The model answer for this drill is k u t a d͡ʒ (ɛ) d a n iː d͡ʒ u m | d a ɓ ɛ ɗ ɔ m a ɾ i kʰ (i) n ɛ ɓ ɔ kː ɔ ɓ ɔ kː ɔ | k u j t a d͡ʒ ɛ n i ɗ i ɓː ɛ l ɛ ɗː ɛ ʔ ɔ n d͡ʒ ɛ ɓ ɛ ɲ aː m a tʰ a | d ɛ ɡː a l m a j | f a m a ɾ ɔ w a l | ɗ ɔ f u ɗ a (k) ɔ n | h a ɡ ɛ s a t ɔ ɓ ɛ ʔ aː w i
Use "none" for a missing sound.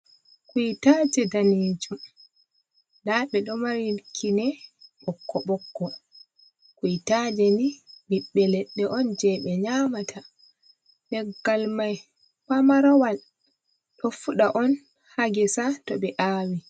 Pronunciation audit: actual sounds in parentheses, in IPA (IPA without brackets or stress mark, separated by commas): ɛ, i, ʔ